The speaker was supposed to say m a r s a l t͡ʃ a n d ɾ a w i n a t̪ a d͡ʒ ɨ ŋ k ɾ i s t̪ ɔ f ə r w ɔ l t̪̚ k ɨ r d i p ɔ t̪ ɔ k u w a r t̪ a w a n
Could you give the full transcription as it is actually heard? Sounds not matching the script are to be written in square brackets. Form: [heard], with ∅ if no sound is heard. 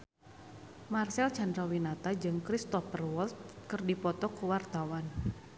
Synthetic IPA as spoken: m a r s [ɛ] l t͡ʃ a n d ɾ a w i n a t̪ a d͡ʒ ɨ ŋ k ɾ i s t̪ ɔ f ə r w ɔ l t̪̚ k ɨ r d i p ɔ t̪ ɔ k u w a r t̪ a w a n